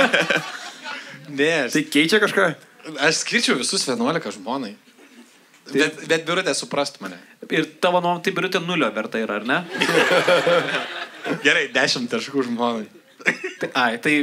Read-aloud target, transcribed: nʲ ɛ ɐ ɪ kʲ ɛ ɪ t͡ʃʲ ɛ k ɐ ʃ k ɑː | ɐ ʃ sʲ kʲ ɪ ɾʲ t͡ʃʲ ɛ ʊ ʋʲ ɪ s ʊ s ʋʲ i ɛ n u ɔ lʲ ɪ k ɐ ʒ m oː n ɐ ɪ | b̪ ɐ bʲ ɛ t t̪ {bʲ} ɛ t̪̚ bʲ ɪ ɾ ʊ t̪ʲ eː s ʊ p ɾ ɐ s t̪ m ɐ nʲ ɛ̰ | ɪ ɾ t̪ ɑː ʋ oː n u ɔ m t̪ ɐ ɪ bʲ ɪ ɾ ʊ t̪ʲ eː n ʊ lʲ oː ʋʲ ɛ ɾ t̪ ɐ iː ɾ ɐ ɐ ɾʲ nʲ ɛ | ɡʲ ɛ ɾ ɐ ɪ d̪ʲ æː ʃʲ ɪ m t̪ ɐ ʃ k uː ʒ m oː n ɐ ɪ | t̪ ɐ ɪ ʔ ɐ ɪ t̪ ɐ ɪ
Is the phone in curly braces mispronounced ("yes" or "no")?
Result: no